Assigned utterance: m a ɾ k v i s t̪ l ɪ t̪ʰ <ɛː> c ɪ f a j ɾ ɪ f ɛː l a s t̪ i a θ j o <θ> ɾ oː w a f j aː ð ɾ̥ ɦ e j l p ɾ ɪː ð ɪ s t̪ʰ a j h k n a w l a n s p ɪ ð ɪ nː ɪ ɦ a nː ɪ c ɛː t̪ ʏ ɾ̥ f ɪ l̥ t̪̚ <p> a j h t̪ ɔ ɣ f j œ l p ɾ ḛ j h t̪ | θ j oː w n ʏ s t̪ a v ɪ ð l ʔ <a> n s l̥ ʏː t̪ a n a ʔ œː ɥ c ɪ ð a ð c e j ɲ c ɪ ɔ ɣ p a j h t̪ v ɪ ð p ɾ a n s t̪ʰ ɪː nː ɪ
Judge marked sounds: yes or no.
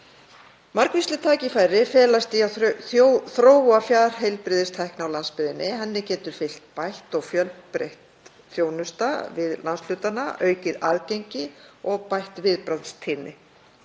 no, yes, yes, yes

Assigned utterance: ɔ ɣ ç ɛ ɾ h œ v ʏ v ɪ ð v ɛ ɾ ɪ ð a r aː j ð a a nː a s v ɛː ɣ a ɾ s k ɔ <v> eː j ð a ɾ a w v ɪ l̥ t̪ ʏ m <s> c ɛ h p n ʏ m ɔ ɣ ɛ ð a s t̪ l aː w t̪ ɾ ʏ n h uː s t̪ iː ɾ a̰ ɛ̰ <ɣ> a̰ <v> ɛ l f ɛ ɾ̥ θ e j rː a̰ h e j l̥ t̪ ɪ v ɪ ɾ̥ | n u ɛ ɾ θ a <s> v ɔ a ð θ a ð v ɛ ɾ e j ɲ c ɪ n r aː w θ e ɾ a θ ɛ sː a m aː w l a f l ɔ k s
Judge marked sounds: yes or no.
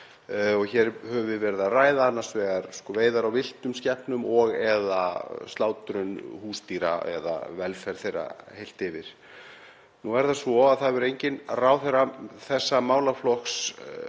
yes, yes, no, yes, yes

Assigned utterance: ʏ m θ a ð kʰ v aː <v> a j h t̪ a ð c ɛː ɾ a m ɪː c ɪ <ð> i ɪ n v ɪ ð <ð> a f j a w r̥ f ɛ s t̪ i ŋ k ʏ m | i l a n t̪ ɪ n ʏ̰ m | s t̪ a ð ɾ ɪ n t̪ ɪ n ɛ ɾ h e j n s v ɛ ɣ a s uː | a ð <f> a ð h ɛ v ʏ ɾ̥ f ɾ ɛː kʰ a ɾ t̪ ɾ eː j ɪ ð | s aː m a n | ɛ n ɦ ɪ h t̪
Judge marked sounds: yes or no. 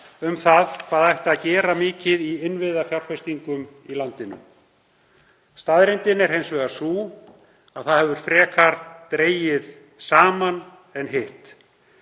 no, yes, yes, no

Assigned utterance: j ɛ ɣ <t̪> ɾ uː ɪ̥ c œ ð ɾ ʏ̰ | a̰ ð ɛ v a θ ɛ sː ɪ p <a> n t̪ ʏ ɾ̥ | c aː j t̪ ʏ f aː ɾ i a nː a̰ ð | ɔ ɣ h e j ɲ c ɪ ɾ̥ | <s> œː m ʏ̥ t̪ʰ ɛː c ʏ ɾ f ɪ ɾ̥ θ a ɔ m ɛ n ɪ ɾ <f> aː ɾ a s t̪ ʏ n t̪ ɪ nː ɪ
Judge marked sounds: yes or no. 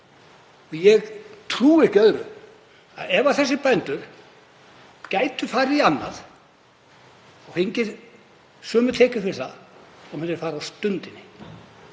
no, no, yes, yes

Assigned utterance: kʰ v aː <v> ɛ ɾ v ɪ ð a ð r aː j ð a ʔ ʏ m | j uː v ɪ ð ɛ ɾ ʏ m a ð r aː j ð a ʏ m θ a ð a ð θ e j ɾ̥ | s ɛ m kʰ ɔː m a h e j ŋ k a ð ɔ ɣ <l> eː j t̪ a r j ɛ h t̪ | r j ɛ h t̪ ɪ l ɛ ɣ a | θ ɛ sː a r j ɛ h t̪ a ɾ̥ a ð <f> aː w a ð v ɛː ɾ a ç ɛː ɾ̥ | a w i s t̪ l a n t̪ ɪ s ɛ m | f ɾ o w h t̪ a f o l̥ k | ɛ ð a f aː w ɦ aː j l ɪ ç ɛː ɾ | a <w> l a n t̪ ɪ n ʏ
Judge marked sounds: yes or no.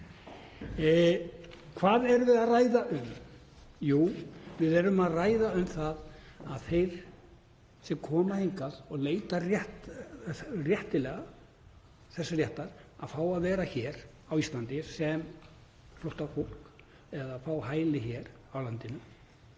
no, yes, yes, yes

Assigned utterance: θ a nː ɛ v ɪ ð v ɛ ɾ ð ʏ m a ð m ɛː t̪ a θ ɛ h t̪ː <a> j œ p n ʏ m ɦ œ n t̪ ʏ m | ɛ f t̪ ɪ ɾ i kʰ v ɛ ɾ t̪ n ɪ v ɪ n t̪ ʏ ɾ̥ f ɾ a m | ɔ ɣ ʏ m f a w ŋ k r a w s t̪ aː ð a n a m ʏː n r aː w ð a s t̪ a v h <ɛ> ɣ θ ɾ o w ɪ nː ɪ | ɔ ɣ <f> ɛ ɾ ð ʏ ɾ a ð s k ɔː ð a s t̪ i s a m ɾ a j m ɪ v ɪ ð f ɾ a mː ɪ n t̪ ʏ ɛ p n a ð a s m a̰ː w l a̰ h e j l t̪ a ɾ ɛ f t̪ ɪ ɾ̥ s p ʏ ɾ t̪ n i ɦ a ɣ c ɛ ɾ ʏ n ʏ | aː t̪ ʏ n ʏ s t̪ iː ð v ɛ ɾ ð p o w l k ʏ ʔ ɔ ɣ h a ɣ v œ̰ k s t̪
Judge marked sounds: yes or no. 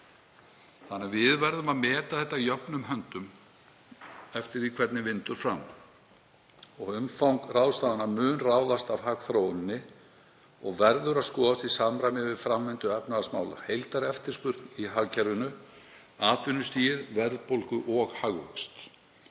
yes, no, no

